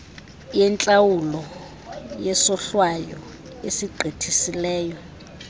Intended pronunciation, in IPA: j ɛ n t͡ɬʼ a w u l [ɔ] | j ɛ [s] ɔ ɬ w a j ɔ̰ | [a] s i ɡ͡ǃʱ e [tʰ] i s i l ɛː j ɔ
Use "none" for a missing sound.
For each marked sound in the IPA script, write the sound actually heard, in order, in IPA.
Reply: ɔ, s, e, tʰ

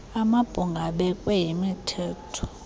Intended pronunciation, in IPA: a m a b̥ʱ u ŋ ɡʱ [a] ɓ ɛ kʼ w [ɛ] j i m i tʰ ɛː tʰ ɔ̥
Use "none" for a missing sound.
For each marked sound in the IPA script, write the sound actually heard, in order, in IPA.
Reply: a, ɛ

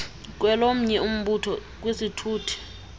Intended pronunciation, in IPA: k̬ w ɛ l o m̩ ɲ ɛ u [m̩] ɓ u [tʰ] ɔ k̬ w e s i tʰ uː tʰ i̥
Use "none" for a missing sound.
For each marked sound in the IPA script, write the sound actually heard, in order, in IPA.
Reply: m̩, tʰ

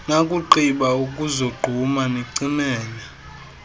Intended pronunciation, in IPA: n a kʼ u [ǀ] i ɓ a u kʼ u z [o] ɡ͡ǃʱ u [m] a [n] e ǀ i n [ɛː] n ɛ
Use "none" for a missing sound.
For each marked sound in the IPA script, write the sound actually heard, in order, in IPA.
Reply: ǃ, o, m, n, ɛː

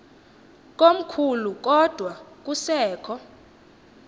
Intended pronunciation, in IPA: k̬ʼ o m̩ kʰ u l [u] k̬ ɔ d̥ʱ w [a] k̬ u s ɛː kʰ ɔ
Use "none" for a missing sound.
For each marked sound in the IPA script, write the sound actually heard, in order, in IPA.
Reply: u, a

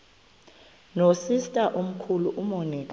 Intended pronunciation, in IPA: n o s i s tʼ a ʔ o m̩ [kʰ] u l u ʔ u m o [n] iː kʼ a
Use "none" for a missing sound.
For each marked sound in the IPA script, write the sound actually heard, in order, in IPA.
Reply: kʰ, n

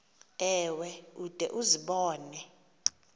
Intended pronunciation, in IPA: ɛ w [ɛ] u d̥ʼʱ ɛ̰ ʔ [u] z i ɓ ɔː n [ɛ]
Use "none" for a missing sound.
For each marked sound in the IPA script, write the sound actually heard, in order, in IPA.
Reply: ɛ, u, ɛ

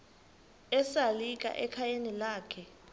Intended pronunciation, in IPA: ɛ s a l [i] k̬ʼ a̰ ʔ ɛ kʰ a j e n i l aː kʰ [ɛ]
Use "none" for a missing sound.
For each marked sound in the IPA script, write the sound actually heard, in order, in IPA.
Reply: i, ɛ

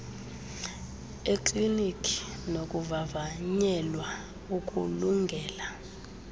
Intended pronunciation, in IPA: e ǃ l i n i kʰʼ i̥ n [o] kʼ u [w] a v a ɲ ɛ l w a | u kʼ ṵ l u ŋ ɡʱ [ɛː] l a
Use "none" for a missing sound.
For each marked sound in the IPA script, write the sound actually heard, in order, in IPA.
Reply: o, v, ɛː

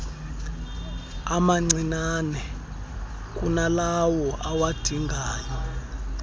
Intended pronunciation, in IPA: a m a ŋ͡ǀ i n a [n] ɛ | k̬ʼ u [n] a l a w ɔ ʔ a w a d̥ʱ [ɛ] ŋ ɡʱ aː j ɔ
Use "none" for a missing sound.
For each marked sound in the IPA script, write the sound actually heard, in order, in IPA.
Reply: n, n, i

